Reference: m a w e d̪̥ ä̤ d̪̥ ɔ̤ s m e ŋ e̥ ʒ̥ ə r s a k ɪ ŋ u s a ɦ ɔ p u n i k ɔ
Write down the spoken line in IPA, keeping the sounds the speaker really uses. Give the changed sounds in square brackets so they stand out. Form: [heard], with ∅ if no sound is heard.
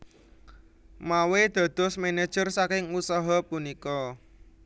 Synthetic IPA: m a w e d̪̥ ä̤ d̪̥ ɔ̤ s m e [n] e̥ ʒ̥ ə r s a k ɪ ŋ u s a ɦ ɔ p u n i k ɔ